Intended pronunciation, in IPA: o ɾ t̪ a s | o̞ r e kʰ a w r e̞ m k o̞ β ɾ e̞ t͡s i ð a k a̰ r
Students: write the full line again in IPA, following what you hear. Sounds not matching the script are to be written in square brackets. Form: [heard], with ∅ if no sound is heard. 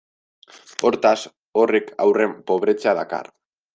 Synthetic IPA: o ɾ t̪ a s | o̞ r e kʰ a w r e̞ m [p] o̞ β ɾ e̞ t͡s [a] ð a k a̰ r